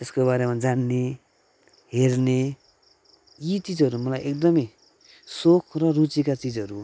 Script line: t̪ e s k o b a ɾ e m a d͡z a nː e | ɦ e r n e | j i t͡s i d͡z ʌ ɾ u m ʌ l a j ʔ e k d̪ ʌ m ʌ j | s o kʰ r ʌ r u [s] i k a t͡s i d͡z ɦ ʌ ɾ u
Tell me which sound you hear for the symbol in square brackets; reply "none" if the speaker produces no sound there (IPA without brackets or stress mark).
t͡s